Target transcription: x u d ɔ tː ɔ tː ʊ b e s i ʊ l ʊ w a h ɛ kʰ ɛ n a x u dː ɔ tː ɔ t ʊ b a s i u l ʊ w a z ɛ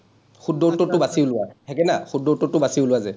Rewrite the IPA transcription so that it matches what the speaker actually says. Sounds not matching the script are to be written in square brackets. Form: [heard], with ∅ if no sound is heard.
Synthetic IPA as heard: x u d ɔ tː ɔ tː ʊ b [a] s i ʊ l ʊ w a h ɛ [k] ɛ n a x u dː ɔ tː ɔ t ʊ b a s i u l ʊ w a z ɛ